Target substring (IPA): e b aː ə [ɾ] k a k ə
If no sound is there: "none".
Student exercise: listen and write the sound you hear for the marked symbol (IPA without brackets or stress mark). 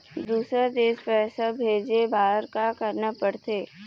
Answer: ɾ